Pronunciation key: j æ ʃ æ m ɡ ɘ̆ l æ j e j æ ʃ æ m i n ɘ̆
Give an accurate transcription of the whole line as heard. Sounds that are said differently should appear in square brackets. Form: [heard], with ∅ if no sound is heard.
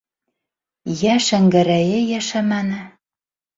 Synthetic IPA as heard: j æ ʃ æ [ŋ] ɡ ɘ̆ [ɾ] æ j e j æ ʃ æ m [æ] n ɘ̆